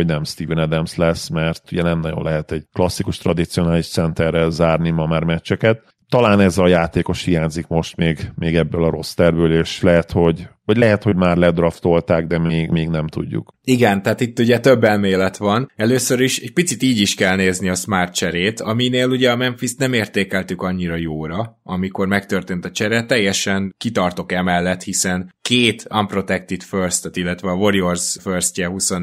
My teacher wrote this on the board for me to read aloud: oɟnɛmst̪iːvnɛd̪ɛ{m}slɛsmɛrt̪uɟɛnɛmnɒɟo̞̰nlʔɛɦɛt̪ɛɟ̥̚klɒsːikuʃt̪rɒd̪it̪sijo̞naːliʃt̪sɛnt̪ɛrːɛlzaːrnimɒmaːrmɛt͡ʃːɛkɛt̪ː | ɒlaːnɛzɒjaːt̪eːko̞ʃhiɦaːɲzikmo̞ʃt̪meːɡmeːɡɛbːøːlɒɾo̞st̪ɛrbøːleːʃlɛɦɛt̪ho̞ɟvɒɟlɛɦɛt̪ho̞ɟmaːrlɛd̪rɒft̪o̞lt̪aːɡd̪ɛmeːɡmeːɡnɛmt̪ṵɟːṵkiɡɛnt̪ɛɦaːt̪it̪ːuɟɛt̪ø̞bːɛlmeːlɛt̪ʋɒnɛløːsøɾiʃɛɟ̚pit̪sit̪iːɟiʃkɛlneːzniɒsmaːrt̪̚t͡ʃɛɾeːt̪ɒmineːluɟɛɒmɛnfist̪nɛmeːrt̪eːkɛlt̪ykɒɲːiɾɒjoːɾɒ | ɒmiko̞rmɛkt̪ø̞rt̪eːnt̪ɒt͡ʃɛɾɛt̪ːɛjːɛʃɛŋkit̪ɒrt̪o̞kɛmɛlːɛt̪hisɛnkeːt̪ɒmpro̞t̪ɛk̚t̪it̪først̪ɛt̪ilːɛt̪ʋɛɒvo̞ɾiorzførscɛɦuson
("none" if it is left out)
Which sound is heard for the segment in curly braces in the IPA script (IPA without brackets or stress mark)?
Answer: m